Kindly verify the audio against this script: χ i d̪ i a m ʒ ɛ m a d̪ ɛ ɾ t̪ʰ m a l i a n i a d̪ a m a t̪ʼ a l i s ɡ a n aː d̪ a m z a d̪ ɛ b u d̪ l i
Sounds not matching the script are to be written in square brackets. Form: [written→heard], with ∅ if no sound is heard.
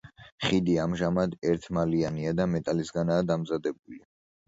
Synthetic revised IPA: χ i d̪ i a m ʒ [ɛ→a] m a d̪ ɛ ɾ t̪ʰ m a l i a n i a d̪ a m [a→ɛ] t̪ʼ a l i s ɡ a n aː d̪ a m z a d̪ ɛ b u [d̪→∅] l i